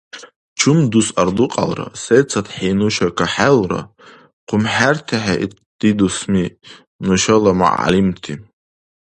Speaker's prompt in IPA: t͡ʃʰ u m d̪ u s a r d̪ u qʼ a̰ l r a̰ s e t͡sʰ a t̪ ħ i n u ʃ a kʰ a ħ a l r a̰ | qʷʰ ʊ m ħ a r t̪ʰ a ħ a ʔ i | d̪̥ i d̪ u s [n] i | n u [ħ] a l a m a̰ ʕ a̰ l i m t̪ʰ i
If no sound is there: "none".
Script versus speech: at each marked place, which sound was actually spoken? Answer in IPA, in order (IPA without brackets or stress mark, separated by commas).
m, ʃ